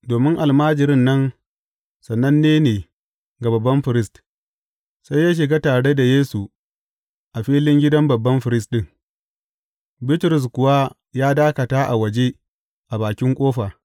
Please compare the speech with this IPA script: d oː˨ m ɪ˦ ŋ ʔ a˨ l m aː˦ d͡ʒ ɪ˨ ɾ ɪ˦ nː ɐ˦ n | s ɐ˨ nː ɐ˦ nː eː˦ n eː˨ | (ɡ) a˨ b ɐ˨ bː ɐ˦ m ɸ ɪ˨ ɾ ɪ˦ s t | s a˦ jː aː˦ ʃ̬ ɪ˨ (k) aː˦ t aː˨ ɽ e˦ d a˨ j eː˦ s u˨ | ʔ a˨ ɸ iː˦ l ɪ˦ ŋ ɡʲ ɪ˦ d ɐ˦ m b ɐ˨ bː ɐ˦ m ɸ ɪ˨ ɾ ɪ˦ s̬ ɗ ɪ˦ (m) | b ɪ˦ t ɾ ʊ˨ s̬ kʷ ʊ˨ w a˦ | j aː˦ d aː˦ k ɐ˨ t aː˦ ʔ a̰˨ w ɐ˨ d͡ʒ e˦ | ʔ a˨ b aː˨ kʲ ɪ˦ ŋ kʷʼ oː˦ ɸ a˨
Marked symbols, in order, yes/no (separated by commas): yes, no, no